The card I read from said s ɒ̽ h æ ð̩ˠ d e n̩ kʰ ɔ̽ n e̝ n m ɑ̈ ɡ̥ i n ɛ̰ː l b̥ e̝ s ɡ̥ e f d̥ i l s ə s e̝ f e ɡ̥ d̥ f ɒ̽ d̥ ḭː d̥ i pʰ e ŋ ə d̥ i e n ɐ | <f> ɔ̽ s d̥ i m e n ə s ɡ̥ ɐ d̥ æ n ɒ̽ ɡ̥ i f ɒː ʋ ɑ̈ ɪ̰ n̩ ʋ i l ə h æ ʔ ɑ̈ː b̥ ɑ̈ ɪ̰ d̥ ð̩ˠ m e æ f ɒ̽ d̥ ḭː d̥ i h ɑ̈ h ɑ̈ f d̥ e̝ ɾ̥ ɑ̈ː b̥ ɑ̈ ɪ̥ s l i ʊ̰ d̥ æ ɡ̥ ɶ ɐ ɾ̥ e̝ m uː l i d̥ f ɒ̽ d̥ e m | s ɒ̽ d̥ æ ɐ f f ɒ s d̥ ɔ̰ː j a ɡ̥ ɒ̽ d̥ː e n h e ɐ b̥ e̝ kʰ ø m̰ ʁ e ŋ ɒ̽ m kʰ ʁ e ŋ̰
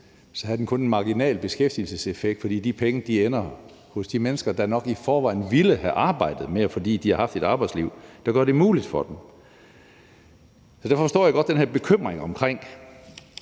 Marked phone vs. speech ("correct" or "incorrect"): incorrect